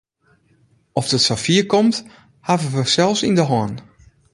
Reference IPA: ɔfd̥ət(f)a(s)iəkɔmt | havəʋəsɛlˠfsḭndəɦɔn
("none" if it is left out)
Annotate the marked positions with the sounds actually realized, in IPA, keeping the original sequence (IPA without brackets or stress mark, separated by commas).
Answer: s, f